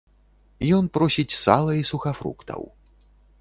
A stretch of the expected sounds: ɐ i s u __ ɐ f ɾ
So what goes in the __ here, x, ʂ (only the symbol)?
x